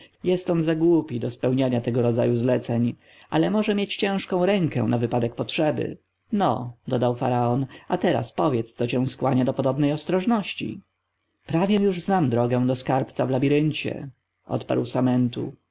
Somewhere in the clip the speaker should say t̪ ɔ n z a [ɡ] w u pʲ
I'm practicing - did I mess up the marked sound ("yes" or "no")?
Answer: no